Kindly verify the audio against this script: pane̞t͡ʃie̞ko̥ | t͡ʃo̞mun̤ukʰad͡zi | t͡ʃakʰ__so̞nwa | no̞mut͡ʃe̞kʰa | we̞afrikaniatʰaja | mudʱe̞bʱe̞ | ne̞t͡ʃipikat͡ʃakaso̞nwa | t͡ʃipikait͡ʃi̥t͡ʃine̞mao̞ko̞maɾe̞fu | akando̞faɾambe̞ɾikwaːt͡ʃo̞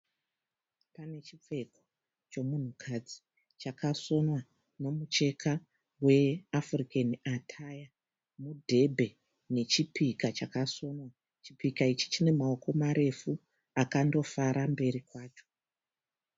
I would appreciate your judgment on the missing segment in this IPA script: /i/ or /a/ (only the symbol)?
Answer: a